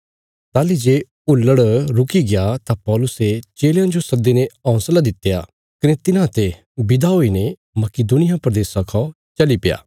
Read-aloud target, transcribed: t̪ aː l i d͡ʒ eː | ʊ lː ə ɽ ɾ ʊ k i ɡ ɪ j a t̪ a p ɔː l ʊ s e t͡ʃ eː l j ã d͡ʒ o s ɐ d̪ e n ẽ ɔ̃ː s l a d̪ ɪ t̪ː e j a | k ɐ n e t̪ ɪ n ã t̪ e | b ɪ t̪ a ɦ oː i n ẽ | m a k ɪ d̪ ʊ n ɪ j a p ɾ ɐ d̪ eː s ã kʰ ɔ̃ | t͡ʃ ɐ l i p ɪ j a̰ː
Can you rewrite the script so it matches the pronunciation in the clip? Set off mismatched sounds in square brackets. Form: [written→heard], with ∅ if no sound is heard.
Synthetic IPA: t̪ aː l i d͡ʒ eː | ʊ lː ə ɽ ɾ ʊ k i ɡ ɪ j a t̪ a p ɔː l ʊ s e t͡ʃ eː l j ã d͡ʒ o s ɐ d̪ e n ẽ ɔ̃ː s l a d̪ ɪ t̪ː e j a | k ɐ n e t̪ ɪ n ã t̪ e | b ɪ [t̪→d̪] a ɦ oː i n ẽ | m [a→ɐ] k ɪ d̪ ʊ n ɪ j a p ɾ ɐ d̪ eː s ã kʰ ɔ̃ | t͡ʃ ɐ l i p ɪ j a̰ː